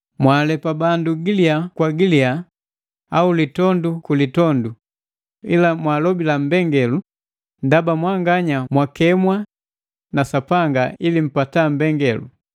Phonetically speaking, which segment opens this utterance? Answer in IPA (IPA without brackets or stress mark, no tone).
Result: m